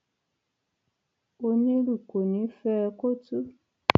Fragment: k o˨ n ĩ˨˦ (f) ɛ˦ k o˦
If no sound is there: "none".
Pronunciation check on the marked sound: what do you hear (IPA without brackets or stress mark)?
f